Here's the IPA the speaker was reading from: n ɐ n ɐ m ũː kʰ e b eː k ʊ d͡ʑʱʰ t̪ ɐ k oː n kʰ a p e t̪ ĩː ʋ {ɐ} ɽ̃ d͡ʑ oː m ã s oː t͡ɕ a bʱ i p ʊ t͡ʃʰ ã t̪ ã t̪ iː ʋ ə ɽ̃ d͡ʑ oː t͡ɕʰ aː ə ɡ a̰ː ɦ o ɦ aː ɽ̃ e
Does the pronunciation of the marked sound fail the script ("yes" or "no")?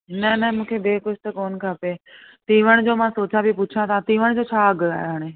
yes